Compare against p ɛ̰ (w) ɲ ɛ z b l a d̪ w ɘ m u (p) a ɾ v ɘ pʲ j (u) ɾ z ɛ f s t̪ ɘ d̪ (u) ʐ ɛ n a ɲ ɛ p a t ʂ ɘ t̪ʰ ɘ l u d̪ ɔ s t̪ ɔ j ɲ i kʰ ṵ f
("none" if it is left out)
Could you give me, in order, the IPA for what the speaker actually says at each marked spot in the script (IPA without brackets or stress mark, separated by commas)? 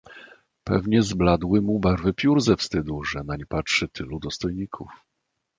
v, b, u, u